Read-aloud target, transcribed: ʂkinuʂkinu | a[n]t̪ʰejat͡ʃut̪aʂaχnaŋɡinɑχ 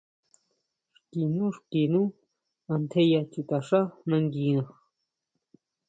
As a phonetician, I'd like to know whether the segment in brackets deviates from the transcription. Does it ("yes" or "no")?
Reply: no